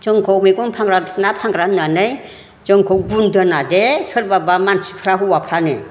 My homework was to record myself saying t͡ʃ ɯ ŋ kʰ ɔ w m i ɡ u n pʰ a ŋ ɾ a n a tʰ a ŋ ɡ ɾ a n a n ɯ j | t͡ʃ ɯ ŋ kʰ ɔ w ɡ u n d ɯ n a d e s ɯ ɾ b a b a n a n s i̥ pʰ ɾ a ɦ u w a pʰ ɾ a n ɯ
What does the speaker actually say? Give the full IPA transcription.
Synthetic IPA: t͡ʃ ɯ ŋ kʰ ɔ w m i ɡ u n pʰ a ŋ ɾ a n a pʰ a ŋ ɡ ɾ a n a n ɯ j | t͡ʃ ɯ ŋ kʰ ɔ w ɡ u n d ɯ n a d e s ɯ ɾ b a b a m a n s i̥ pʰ ɾ a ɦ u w a pʰ ɾ a n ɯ

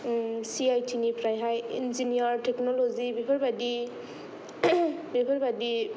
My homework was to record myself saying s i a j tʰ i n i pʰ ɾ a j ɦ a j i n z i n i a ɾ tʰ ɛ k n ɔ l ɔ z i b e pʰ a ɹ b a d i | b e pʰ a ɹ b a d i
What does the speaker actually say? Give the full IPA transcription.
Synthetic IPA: s i a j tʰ i n i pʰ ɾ a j ɦ a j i n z i n i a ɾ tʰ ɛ k n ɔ l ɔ z i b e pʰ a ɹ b a d i | b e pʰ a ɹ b a d i

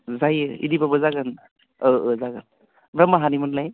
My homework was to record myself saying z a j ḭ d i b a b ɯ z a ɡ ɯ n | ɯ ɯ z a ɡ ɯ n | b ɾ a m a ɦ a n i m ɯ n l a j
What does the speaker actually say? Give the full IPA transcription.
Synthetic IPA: z a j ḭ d i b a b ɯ z a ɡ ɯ n | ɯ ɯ z a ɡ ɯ n | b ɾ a m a ɦ a n i m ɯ n l a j

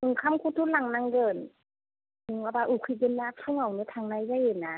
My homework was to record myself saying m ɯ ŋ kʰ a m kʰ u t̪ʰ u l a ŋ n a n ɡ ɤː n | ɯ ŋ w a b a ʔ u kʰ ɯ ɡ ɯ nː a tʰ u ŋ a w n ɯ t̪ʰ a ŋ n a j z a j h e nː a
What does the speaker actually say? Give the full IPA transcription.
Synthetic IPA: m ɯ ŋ kʰ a m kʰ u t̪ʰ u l a ŋ n a ŋ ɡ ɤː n | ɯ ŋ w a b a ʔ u kʰ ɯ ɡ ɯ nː a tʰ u ŋ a w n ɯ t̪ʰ a ŋ n a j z a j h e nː a

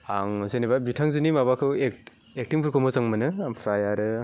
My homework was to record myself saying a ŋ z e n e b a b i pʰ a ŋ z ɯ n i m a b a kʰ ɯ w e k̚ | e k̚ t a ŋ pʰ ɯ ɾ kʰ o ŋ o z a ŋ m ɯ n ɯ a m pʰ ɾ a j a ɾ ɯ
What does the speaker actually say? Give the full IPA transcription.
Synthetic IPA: a ŋ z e n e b a b i tʰ a ŋ z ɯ n i m a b a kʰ ɯ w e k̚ | e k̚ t i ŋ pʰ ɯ ɾ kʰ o m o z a ŋ m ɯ n ɯ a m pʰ ɾ a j a ɾ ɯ

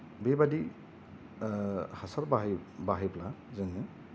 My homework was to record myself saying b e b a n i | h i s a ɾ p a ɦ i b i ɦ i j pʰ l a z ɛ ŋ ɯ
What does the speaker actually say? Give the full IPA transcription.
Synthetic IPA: b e b a d i | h a s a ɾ b a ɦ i b a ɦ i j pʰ l a z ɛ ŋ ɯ

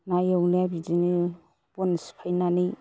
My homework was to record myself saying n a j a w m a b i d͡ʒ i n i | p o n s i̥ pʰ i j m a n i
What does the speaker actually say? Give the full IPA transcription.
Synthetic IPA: n a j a w n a b i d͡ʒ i n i | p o n s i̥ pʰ a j n a n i

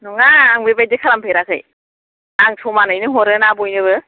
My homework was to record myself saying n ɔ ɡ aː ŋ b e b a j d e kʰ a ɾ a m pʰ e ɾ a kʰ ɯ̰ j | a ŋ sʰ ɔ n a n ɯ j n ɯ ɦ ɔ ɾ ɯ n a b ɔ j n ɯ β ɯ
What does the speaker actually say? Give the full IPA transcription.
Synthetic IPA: n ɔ ŋ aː ŋ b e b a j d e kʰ a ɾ a m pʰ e ɾ a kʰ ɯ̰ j | a ŋ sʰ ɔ m a n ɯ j n ɯ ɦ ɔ ɾ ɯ n a b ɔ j n ɯ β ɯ

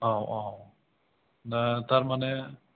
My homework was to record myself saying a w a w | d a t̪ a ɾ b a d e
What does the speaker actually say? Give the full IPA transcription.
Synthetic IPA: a w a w | n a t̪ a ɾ m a n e

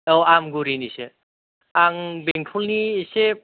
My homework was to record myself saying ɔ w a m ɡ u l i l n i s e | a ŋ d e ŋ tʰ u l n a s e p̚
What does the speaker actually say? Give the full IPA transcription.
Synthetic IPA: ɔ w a m ɡ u ɾ i n i s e | a ŋ b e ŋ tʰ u l n i s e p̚

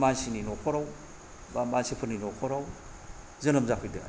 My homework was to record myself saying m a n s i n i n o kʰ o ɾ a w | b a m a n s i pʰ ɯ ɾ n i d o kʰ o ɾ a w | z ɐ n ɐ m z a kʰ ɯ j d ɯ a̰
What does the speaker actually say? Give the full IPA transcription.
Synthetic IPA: m a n s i n i n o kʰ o ɾ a w | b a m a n s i pʰ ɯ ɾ n i n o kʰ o ɾ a w | z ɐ n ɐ m z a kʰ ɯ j d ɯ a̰

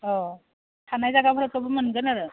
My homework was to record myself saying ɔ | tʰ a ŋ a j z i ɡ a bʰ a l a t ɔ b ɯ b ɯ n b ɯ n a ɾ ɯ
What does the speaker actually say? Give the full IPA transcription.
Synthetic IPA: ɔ | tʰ a n a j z a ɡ a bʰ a ɾ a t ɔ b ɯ m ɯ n ɡ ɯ n a ɾ ɯ

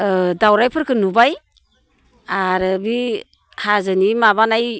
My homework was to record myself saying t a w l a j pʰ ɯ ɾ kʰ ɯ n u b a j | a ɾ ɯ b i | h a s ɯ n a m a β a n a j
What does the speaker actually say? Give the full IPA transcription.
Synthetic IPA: d a w ɾ a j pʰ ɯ ɾ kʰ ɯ n u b a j | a ɾ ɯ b i | h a z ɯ n i m a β a n a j

